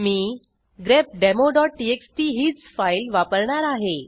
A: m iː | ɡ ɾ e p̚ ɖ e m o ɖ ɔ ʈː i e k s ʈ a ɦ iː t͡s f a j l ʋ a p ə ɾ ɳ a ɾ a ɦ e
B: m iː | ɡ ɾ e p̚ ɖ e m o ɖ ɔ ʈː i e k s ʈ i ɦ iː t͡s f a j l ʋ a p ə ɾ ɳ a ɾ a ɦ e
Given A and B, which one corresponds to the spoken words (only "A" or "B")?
B